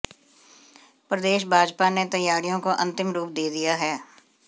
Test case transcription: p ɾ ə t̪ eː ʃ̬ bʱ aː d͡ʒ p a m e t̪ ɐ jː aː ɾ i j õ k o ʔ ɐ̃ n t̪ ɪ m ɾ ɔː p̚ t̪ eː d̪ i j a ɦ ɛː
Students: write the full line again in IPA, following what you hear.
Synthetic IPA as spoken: p ɾ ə d̪ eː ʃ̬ bʱ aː d͡ʒ p a n e t̪ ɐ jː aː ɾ i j õ k o ʔ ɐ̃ n t̪ ɪ m ɾ uː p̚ d̪ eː d̪ i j a ɦ ɛː